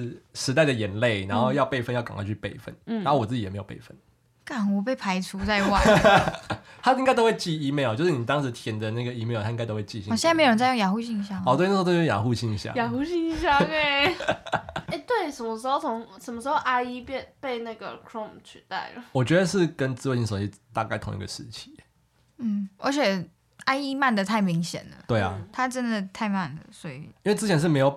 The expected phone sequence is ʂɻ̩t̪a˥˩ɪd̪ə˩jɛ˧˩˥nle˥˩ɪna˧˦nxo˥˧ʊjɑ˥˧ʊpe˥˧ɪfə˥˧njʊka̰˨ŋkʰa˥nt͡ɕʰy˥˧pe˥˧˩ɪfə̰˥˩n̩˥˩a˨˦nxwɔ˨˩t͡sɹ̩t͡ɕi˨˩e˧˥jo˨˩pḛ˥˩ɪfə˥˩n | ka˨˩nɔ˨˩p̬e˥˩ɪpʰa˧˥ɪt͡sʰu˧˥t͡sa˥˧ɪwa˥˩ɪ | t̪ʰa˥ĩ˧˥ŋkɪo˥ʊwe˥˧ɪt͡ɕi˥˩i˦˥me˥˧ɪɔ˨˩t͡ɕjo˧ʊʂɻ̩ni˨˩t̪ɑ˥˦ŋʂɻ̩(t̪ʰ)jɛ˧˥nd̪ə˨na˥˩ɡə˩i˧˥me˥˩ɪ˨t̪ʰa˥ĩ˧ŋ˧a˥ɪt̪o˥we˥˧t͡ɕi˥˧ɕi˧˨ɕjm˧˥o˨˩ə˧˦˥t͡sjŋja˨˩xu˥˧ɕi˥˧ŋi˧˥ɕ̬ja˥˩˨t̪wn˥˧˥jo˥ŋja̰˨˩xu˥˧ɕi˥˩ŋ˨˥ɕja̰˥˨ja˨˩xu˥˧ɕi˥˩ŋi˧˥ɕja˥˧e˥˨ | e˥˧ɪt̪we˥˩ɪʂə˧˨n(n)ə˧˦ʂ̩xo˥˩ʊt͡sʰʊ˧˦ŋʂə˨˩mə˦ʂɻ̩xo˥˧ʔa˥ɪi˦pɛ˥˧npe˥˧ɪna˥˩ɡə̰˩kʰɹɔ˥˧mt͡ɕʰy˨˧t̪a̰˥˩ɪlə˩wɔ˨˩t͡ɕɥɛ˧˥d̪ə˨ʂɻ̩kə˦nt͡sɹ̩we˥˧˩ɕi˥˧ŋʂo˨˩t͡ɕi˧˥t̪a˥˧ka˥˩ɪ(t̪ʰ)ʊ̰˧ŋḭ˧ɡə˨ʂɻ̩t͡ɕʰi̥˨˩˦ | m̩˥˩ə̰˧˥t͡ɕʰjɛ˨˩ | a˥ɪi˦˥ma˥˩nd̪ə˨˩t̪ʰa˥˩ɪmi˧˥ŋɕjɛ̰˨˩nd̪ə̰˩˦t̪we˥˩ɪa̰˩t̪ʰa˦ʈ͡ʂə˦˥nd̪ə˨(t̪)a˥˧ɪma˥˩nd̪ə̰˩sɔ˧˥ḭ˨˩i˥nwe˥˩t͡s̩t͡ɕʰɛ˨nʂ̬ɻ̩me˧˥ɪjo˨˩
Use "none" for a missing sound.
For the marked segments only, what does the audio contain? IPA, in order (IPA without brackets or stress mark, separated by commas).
t̪ʰ, m, t̪ʰ, t̪ʰ